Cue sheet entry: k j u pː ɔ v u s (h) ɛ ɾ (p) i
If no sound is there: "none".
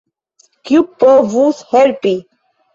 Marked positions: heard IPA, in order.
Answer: h, p

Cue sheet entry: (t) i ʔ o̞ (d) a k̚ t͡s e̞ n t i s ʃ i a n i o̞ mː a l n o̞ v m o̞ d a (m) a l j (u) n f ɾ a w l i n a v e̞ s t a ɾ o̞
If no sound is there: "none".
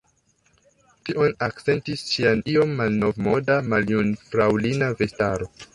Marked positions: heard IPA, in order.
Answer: t, n, m, u

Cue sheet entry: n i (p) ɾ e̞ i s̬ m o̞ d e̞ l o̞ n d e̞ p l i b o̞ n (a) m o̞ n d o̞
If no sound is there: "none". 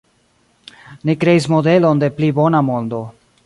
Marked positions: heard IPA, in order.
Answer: k, a

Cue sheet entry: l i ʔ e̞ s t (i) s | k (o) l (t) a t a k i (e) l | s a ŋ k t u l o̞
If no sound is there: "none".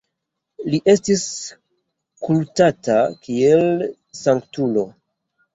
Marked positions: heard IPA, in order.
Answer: i, u, t, e

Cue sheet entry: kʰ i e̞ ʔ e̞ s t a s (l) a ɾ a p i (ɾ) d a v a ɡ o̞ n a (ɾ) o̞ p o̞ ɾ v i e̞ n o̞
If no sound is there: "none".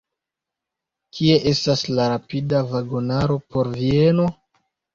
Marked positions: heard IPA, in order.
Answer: l, none, ɾ

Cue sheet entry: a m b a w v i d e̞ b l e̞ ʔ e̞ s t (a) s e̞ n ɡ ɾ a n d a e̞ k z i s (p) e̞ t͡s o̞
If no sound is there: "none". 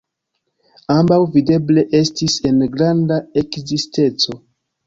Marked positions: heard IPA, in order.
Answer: i, t

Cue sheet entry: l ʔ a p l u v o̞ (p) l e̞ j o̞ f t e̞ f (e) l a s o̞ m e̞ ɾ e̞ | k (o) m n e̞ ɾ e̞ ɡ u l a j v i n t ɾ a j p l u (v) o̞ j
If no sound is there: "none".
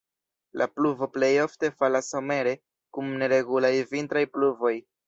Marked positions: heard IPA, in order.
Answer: p, a, u, v

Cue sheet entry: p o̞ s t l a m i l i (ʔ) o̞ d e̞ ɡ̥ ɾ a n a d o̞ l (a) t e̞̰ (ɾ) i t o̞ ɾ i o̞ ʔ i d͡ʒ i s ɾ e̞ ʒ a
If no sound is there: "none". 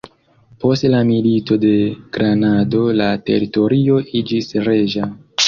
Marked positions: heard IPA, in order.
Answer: t, a, ɾ

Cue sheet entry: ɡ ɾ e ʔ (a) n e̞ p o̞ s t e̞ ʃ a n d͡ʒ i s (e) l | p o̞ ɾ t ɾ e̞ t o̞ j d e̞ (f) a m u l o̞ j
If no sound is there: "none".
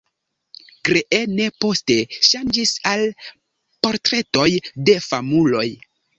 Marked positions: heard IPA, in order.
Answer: e, a, f

